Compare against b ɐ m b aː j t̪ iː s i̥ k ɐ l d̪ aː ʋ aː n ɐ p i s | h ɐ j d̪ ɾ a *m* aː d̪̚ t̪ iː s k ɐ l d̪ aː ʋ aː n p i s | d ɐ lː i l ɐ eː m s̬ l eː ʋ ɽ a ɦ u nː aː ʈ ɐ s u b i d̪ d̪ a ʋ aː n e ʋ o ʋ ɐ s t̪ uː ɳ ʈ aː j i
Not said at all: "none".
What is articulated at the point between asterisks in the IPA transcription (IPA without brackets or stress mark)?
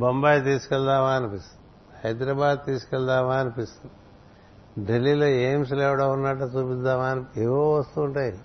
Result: b